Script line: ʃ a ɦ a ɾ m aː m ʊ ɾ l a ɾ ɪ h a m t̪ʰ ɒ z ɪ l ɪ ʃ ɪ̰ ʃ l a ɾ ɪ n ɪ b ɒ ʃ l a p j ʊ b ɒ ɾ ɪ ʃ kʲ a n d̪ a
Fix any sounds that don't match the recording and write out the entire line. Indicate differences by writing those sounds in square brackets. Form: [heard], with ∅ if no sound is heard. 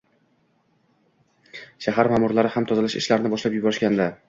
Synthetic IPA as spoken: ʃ a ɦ a ɾ m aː m ʊ ɾ l a ɾ ɪ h a m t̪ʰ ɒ z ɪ l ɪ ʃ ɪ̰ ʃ l a ɾ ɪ n ɪ b ɒ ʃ l a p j ʊ b ɒ ɾ ɪ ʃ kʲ a n d̪ a